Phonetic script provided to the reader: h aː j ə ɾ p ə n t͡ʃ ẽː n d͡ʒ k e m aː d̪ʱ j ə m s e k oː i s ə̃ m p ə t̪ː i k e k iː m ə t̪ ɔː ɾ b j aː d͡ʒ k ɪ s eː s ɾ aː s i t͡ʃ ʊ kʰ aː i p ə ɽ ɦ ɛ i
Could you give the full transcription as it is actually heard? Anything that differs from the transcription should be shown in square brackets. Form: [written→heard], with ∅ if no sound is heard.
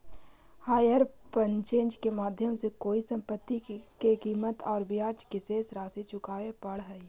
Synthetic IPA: h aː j ə ɾ p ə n t͡ʃ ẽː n d͡ʒ k e m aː d̪ʱ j ə m s e k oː i s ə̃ m p ə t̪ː i k e k iː m ə t̪ ɔː ɾ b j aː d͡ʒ k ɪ s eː s ɾ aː s i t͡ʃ ʊ [kʰ→k] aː [i→e] p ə ɽ ɦ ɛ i